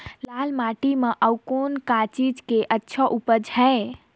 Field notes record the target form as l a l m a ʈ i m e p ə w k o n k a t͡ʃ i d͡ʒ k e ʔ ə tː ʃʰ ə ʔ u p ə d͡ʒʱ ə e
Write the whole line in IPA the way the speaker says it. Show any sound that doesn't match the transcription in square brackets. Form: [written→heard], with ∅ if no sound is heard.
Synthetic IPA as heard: l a l m a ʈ i m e [p→ʔ] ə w k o n k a t͡ʃ i d͡ʒ k e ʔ ə tː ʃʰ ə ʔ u p ə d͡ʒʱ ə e